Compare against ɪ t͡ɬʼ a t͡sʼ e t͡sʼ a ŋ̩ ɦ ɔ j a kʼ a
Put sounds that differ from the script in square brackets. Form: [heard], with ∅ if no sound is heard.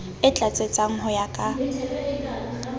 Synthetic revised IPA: ɪ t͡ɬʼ a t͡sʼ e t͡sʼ a ŋ̩ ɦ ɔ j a kʼ a